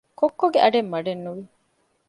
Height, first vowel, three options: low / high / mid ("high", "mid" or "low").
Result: mid